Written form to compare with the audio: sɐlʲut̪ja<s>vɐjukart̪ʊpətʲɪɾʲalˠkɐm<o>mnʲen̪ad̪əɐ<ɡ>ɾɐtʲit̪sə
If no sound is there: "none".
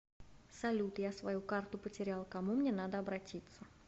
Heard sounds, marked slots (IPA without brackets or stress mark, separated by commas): s, u, b